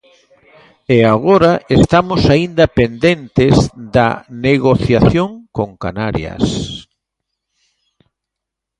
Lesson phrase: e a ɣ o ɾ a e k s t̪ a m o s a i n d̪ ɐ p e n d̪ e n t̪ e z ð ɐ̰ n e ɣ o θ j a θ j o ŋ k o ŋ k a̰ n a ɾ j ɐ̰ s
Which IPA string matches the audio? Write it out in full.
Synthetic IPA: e a ɣ o ɾ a e s t̪ a m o s a i n d̪ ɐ p e n d̪ e n t̪ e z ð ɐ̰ n e ɣ o θ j a θ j o ŋ k o ŋ k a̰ n a ɾ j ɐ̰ s